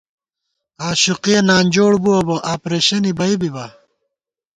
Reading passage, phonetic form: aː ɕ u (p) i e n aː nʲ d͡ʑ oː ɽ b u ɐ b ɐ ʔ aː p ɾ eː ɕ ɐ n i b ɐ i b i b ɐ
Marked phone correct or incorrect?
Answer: incorrect